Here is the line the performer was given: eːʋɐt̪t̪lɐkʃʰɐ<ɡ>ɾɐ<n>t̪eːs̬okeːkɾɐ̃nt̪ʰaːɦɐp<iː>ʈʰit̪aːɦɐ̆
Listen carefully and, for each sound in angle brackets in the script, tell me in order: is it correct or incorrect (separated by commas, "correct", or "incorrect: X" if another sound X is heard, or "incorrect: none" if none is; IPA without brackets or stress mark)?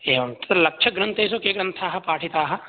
correct, correct, incorrect: aː